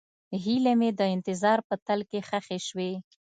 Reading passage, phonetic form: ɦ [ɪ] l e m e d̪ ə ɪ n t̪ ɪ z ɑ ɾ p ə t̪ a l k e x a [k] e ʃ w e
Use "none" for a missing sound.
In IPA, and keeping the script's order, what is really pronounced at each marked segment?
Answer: i, x

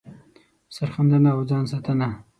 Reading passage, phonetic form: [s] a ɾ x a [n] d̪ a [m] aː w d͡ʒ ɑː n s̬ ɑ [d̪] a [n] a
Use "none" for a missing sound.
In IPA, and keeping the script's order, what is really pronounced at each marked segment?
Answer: s, n, n, t̪, n

